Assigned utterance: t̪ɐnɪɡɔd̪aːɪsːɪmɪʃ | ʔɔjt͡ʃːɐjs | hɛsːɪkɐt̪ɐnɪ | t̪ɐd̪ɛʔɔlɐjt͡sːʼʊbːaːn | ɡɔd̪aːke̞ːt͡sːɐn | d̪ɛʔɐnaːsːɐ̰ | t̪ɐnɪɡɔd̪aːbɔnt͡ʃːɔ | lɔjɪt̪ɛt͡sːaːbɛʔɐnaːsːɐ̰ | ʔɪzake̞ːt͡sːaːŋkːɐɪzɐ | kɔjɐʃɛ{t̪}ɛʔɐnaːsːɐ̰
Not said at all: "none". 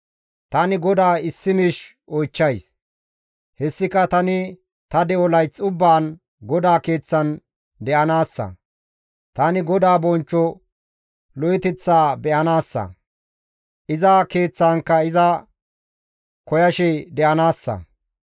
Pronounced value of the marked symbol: d̪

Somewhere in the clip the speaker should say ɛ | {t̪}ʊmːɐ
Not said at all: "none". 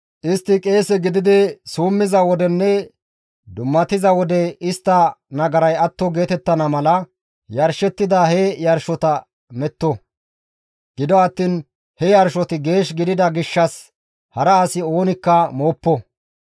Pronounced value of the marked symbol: d̪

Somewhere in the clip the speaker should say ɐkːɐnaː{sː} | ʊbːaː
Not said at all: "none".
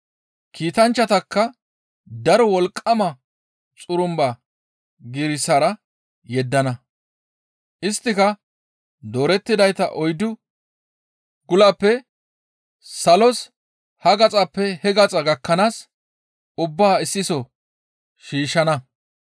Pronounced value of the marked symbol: s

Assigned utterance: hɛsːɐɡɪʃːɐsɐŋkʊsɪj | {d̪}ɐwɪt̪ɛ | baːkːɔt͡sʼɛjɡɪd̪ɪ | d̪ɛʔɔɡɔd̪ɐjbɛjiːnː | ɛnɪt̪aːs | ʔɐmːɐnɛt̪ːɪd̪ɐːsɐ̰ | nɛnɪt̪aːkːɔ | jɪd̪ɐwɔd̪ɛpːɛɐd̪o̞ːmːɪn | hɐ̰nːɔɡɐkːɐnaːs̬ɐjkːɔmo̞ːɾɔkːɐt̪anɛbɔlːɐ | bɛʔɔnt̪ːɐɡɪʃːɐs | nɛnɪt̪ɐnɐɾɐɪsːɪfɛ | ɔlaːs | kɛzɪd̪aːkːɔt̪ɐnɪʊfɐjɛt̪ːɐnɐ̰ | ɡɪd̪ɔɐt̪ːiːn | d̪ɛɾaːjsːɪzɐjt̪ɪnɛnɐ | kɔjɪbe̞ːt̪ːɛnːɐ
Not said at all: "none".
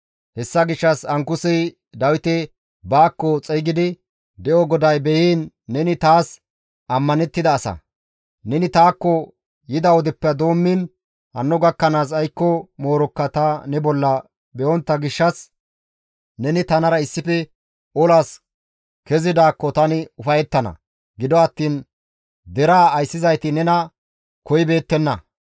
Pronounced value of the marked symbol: d̪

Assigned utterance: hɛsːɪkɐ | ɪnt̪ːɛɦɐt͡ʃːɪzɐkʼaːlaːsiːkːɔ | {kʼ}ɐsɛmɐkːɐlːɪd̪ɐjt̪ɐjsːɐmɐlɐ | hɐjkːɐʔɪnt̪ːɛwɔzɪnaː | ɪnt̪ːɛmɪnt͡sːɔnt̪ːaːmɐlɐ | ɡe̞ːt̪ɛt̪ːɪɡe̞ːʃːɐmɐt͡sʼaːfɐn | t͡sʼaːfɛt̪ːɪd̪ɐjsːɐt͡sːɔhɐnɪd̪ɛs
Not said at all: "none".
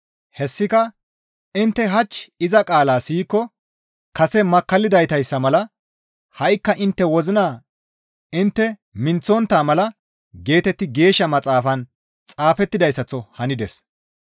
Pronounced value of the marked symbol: k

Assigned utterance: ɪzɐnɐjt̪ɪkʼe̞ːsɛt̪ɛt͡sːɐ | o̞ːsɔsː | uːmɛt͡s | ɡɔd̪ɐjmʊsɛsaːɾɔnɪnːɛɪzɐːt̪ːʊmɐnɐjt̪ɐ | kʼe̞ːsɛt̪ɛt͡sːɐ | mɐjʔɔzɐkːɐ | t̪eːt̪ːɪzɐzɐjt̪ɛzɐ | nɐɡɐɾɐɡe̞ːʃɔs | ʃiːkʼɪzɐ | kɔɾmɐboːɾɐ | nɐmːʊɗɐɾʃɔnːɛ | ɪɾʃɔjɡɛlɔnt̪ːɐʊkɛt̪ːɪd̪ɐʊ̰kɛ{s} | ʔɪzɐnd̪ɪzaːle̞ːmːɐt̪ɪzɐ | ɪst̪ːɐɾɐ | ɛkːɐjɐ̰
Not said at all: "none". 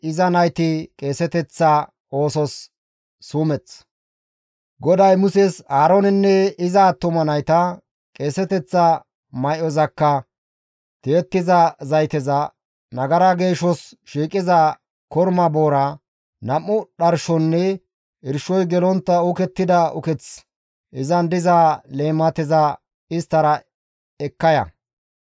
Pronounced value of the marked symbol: t͡s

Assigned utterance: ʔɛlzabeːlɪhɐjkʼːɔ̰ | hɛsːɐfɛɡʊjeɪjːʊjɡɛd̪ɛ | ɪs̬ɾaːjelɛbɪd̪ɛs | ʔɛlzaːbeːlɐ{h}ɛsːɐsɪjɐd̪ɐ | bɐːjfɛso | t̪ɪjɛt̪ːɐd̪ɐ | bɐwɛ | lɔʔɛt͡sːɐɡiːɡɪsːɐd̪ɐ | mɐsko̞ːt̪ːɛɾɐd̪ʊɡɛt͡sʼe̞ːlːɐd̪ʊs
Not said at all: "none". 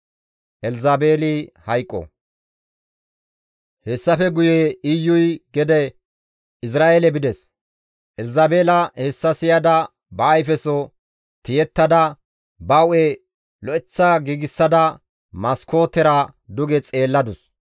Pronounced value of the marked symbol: h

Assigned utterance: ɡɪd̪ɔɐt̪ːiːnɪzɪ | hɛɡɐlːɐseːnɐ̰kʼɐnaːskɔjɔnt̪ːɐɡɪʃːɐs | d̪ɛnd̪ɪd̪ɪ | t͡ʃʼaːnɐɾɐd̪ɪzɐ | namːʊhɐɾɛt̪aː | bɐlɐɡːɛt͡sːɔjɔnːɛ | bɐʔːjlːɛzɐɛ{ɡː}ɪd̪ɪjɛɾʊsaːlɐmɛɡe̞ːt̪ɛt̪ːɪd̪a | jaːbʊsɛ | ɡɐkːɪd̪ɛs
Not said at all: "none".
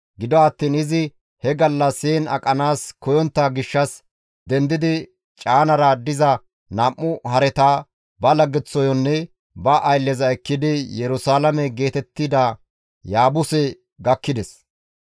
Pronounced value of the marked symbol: kː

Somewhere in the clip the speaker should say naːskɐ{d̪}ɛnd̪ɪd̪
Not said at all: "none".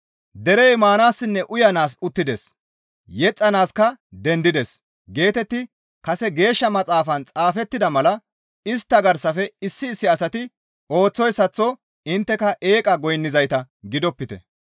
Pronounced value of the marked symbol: d̪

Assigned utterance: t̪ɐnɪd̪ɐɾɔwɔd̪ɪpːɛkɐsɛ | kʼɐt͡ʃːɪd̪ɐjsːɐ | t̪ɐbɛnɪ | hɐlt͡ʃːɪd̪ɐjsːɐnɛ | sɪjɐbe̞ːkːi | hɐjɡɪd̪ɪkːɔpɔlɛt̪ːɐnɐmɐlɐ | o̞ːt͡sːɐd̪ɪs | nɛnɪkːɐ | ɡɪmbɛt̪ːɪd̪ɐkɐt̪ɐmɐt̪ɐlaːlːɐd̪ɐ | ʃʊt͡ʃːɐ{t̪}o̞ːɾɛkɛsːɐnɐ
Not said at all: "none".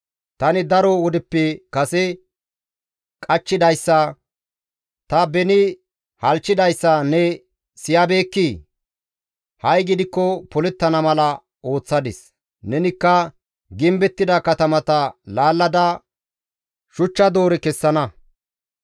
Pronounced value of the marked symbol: d̪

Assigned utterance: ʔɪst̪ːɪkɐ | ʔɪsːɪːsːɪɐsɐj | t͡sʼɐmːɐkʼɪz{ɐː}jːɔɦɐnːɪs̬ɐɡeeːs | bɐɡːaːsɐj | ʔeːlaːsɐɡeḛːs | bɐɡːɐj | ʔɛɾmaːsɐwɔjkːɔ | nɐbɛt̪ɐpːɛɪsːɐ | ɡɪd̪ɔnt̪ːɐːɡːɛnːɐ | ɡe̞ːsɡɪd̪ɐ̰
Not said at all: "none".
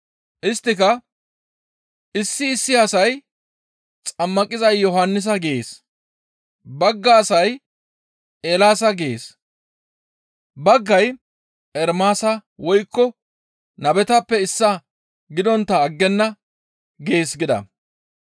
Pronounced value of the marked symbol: ɐ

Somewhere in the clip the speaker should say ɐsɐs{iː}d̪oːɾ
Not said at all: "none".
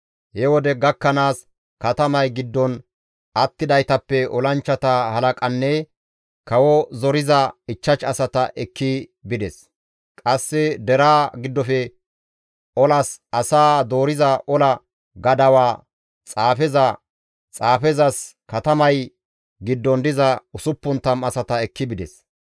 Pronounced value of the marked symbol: aː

